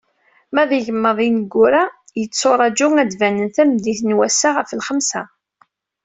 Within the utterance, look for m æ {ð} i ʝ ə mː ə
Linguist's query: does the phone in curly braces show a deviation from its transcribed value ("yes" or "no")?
no